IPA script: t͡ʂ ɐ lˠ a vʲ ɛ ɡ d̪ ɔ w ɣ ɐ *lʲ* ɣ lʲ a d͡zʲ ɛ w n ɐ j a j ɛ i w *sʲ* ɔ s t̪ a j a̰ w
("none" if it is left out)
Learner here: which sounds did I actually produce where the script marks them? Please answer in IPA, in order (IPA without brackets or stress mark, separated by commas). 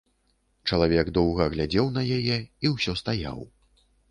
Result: none, sʲ